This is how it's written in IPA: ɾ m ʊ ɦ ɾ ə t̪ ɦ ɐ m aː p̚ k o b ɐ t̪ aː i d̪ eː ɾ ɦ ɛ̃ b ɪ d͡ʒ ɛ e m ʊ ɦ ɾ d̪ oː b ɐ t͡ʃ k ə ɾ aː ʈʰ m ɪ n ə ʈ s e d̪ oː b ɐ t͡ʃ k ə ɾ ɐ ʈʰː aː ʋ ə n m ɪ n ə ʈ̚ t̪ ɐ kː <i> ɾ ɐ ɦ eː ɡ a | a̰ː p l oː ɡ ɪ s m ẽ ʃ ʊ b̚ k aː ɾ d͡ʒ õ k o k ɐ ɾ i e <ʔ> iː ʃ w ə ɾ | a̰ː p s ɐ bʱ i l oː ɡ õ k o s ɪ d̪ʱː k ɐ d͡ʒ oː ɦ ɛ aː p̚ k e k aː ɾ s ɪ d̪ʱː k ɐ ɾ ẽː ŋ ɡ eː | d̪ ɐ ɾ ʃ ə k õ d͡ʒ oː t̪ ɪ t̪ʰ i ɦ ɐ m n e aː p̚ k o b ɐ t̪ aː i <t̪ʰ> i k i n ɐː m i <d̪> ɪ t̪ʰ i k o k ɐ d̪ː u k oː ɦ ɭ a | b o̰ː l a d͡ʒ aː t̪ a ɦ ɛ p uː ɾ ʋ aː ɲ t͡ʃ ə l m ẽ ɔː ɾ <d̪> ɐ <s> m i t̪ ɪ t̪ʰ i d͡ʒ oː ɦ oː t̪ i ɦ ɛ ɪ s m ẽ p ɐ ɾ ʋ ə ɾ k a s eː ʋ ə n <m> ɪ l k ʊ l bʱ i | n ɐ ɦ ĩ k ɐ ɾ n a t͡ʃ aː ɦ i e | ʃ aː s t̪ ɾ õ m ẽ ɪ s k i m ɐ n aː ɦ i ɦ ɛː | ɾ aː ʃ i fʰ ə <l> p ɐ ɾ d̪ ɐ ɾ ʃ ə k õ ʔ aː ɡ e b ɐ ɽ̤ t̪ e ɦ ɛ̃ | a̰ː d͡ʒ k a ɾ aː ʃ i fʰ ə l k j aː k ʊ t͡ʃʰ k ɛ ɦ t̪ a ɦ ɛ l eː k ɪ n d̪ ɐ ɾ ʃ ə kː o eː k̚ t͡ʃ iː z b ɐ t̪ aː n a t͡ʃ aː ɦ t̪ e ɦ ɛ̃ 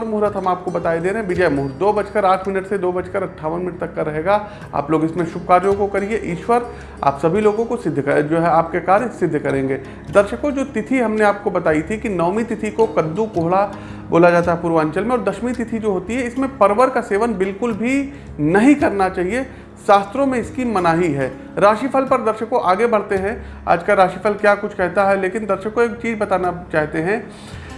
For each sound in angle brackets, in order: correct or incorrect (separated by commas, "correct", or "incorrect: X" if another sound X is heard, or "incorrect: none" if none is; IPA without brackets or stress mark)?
incorrect: a, correct, correct, incorrect: t̪, correct, incorrect: ʃ, incorrect: b, correct